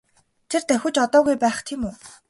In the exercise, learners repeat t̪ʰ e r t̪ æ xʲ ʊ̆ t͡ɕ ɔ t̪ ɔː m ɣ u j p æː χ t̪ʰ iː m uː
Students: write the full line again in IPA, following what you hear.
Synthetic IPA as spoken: t̪ʰ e r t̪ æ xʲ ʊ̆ t͡ɕ ɔ t̪ ɔː ɣ u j p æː χ t̪ʰ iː m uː